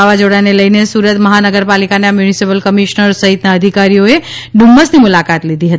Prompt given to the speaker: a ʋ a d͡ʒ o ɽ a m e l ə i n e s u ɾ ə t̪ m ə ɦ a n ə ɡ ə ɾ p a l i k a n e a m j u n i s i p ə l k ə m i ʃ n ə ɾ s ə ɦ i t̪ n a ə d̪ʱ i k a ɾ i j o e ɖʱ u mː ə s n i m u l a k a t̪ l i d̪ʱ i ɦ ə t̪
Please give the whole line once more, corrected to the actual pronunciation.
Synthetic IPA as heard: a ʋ a d͡ʒ o ɽ a n e l ə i n e s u ɾ ə t̪ m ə ɦ a n ə ɡ ə ɾ p a l i k a n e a m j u n i s i p ə l k ə m i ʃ n ə ɾ s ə ɦ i t̪ n a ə d̪ʱ i k a ɾ i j o e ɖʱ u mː ə s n i m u l a k a t̪ l i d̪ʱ i ɦ ə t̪